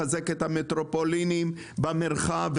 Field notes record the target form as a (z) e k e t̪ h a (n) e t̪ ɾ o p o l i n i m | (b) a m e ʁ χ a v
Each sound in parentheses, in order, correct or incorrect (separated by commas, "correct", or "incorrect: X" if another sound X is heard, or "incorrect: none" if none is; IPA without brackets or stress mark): correct, incorrect: m, correct